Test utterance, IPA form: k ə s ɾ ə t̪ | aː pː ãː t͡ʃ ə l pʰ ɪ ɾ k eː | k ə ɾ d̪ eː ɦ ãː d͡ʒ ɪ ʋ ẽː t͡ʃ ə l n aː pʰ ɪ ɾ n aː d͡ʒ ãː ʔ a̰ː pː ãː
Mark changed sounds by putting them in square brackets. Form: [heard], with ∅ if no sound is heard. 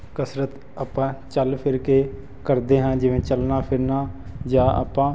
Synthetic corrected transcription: k ə s ɾ ə t̪ | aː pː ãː t͡ʃ ə l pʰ ɪ ɾ k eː | k ə ɾ d̪ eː ɦ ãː d͡ʒ ɪ ʋ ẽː t͡ʃ ə l n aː pʰ ɪ ɾ n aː d͡ʒ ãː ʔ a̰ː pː ãː